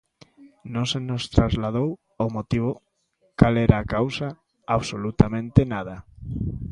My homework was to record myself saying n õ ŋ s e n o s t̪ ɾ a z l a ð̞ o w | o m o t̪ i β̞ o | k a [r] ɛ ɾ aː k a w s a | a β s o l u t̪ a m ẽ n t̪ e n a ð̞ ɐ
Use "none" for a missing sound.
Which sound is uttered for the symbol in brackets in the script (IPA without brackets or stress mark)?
l